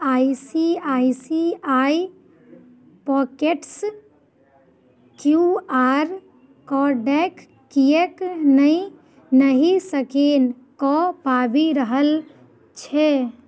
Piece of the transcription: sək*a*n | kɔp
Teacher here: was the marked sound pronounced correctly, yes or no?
no